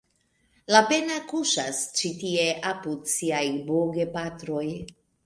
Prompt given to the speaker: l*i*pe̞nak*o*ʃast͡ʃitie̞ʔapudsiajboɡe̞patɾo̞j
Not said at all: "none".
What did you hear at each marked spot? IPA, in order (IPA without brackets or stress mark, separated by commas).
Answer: a, u